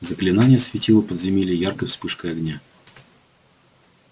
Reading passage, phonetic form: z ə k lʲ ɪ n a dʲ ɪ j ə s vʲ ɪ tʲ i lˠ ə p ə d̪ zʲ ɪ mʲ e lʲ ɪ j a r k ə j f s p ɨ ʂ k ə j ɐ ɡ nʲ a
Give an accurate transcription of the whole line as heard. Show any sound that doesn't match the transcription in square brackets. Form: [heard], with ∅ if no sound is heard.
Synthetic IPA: z ə k lʲ ɪ n a [nʲ] ɪ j ə s vʲ ɪ tʲ i lˠ ə p ə d̪ zʲ ɪ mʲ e lʲ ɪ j a r k ə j f s p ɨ ʂ k ə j ɐ ɡ nʲ a